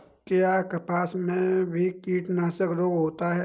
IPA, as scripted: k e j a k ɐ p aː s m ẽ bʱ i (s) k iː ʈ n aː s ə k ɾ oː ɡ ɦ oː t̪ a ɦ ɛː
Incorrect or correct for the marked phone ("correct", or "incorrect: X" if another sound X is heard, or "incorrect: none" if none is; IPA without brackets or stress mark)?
incorrect: none